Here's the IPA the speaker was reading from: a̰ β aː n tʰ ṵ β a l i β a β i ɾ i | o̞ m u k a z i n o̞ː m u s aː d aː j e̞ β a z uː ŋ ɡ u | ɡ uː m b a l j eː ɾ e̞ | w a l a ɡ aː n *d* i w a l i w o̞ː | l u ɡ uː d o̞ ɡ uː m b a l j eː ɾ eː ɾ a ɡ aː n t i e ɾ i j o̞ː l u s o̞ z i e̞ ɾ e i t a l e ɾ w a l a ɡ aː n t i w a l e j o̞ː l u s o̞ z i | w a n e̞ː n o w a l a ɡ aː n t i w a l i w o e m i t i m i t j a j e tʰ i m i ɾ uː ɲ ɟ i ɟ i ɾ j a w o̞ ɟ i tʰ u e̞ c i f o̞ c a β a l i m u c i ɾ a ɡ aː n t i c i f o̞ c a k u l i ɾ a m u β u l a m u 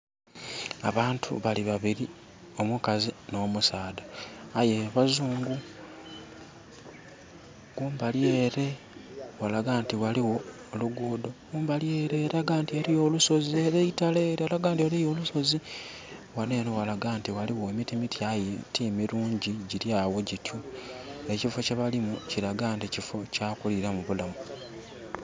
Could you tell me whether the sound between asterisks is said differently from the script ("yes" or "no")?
yes